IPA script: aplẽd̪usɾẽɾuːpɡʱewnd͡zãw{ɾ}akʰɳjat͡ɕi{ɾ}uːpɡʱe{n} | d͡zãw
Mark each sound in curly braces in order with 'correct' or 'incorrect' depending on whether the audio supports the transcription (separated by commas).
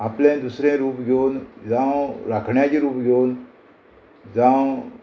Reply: correct, correct, correct